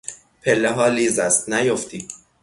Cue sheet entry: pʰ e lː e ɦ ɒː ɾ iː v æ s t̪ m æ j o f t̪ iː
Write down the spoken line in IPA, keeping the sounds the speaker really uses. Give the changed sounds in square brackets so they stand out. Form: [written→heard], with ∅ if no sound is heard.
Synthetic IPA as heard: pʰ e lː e ɦ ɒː [ɾ→l] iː [v→z] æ s t̪ [m→n] æ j o f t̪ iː